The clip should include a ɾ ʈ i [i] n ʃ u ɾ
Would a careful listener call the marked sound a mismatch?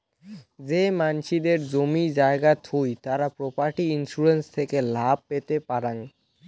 no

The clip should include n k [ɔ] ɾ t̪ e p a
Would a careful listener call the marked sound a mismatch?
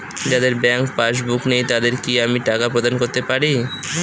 yes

